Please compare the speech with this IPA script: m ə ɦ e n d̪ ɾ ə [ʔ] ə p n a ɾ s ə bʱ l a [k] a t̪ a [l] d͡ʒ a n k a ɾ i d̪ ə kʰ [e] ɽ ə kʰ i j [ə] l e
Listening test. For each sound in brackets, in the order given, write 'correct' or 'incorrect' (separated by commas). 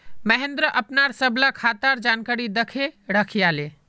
correct, incorrect, incorrect, correct, incorrect